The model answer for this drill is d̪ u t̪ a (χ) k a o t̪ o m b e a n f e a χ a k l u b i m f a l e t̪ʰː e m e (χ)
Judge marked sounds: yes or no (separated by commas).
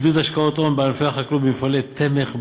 no, yes